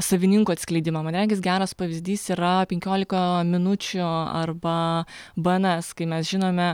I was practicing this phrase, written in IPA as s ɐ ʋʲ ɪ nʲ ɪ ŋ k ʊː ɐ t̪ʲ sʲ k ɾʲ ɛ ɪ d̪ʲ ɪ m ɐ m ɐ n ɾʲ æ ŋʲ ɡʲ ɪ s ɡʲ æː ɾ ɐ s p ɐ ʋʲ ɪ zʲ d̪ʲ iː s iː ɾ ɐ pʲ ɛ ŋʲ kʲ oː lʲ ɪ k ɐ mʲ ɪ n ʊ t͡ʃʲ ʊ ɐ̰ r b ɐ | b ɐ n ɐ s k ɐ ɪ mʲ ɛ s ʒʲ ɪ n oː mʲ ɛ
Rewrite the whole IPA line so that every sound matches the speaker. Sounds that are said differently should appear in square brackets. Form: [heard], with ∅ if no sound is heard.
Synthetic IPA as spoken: s ɐ ʋʲ ɪ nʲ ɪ ŋ k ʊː ɐ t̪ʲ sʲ k [lʲ] ɛ ɪ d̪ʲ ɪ m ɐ m ɐ n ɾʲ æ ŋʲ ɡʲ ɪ s ɡʲ æː ɾ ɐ s p ɐ ʋʲ ɪ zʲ d̪ʲ iː s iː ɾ ɐ pʲ ɛ ŋʲ kʲ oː lʲ ɪ k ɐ mʲ ɪ n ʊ t͡ʃʲ ʊ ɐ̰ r b ɐ | b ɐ n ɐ s k ɐ ɪ mʲ ɛ s ʒʲ ɪ n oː mʲ ɛ